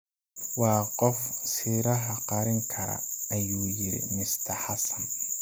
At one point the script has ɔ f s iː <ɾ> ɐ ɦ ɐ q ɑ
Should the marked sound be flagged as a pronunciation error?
no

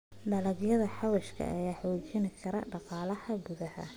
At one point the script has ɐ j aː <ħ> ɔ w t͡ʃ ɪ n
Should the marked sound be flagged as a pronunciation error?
no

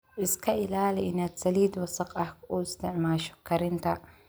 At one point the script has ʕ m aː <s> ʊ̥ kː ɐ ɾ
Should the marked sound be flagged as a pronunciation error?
yes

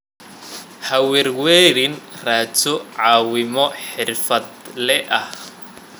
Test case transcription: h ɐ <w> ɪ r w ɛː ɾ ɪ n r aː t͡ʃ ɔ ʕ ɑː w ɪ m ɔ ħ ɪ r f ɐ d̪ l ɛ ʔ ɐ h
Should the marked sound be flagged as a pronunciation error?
no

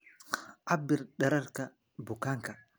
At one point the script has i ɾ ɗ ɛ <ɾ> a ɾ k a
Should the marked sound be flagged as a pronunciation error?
no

